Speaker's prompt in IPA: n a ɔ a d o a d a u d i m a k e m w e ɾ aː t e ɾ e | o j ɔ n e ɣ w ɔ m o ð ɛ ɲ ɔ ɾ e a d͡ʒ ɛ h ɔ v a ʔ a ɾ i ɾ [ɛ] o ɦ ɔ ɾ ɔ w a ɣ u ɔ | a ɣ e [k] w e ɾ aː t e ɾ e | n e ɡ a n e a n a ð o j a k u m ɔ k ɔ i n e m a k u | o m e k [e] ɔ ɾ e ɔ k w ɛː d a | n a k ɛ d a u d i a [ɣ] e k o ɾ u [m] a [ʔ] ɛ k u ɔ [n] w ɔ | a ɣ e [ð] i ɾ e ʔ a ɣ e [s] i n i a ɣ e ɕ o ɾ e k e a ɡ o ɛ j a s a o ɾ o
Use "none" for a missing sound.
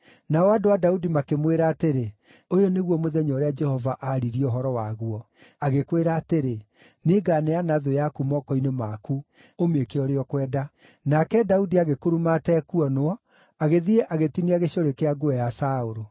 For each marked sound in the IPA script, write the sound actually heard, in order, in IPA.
i, k, e, ɣ, m, t, n, ð, t

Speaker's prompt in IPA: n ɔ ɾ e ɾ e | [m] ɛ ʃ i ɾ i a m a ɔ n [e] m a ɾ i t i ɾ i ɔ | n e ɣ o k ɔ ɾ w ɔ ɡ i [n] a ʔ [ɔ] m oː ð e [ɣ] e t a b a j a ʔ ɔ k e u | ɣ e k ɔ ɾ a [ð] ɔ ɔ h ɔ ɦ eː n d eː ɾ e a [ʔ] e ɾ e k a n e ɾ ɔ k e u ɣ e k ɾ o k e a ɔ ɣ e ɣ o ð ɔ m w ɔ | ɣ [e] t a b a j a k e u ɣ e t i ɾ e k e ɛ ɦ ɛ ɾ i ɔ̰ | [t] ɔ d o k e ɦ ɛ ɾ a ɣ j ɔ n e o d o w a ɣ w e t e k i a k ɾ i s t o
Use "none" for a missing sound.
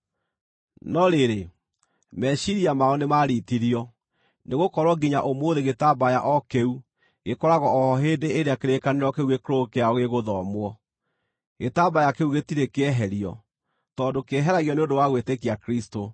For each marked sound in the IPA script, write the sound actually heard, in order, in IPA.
m, e, ɲ, o, ɣ, ɣ, k, e, t

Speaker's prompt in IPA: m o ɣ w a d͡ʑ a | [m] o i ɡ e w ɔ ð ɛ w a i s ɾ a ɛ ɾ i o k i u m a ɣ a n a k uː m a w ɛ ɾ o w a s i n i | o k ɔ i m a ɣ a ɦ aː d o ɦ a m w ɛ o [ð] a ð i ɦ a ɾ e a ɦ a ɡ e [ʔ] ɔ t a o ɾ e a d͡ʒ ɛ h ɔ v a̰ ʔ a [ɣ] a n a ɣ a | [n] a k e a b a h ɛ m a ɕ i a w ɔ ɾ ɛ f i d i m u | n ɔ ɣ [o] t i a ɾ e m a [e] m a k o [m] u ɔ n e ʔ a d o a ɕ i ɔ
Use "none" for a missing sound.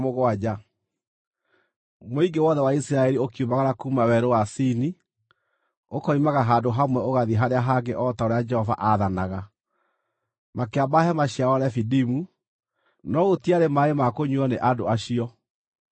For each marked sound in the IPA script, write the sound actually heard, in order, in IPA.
m, ɣ, ʔ, ð, m, o, e, ɲ

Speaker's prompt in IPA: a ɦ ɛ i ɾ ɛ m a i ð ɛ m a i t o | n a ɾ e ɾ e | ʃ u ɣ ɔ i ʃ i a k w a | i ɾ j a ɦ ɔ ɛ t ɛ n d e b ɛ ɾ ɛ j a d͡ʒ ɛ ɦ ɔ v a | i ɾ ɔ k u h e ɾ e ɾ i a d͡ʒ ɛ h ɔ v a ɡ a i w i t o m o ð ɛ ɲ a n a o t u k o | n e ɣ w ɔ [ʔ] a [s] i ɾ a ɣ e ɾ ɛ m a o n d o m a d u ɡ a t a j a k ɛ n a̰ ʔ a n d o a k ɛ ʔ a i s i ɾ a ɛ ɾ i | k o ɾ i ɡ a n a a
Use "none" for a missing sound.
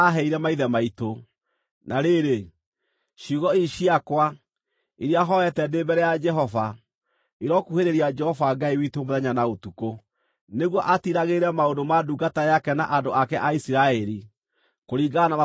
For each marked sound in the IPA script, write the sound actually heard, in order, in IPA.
ʔ, t

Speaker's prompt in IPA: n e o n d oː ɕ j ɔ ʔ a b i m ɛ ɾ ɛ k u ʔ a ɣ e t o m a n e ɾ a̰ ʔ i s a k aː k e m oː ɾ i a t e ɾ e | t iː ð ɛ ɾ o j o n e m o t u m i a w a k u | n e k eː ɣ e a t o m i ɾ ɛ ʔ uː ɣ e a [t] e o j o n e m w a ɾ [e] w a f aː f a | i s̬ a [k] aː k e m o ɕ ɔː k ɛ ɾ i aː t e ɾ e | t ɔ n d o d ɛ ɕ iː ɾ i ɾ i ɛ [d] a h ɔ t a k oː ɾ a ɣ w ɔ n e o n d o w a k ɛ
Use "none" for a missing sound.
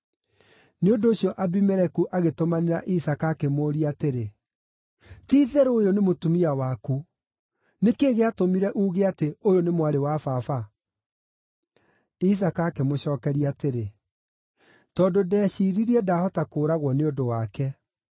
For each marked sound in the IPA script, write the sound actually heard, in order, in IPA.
t, e, k, d

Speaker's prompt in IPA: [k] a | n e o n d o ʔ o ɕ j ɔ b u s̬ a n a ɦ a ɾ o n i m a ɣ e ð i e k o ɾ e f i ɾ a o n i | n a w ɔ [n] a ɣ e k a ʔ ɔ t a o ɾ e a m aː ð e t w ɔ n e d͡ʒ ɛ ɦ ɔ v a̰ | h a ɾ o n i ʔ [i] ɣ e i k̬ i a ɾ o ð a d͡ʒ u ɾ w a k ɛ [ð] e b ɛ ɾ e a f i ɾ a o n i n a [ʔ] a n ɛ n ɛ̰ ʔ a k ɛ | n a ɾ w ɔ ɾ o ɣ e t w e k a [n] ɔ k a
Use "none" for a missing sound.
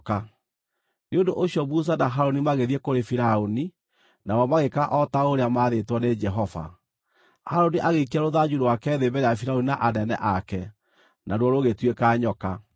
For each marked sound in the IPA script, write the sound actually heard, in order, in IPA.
k, m, a, ð, ʔ, ɲ

